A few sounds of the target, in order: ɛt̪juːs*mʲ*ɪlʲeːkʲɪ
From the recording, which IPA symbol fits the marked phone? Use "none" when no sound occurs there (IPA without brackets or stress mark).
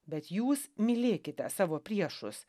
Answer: mʲ